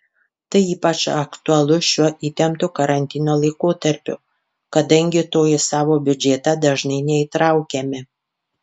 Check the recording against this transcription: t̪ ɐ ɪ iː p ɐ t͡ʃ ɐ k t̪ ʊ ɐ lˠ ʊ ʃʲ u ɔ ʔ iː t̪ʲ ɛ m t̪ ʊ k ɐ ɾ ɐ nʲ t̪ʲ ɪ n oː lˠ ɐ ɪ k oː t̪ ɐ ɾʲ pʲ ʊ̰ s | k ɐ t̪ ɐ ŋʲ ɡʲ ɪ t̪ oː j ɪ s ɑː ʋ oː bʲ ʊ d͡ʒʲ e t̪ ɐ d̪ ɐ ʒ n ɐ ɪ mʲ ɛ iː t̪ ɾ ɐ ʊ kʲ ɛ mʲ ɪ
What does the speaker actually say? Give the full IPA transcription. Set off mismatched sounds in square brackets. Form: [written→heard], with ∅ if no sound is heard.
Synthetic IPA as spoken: t̪ ɐ ɪ iː p ɐ t͡ʃ ɐ k t̪ ʊ ɐ lˠ ʊ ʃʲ u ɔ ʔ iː t̪ʲ ɛ m t̪ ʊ k ɐ ɾ ɐ nʲ t̪ʲ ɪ n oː lˠ ɐ ɪ k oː t̪ ɐ ɾʲ pʲ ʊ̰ [s→∅] | k ɐ [t̪→d̪] ɐ ŋʲ ɡʲ ɪ t̪ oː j ɪ s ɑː ʋ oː bʲ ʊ d͡ʒʲ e t̪ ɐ d̪ ɐ ʒ n ɐ ɪ [mʲ→nʲ] ɛ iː t̪ ɾ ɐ ʊ kʲ ɛ mʲ ɪ